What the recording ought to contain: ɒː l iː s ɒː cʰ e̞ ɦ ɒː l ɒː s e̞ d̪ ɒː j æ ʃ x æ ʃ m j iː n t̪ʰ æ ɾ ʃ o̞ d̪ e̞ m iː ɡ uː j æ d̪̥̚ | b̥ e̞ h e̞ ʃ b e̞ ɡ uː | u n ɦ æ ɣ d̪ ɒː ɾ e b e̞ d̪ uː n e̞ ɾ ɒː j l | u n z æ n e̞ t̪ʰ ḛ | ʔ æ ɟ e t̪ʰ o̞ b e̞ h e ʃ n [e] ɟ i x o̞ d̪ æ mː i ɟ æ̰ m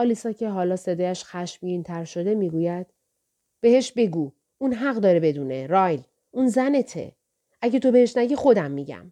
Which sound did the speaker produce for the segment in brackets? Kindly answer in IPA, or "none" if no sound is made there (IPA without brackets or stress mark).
æ